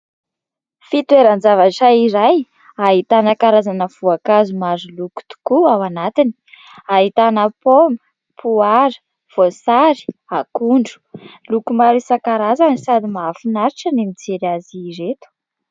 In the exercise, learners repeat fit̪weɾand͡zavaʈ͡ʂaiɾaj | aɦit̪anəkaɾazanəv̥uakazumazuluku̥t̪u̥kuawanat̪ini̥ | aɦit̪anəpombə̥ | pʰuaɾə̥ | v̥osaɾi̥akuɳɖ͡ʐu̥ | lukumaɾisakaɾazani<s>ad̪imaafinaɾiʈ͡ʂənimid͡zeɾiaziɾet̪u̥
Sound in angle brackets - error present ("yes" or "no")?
no